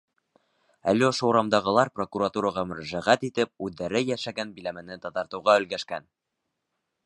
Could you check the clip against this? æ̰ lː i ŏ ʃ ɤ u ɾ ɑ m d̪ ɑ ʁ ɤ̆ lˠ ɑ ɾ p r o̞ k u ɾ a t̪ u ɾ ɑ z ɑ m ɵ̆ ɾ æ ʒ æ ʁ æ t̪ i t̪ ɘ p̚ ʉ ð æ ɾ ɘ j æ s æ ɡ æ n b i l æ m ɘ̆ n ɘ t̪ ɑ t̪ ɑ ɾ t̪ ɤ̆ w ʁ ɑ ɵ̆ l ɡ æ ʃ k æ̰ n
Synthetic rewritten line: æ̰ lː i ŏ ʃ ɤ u ɾ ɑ m d̪ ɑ ʁ ɤ̆ lˠ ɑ ɾ p r o̞ k u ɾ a t̪ u ɾ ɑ ʁ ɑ m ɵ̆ ɾ æ ʒ æ ʁ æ t̪ i t̪ ɘ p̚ ʉ ðː æ ɾ ɘ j æ ʃ æ ɡ æ n b i l æ m ɘ̆ n ɘ t̪ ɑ t̪ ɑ ɾ t̪ ɤ̆ w ʁ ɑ ɵ̆ l ɡ æ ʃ k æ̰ n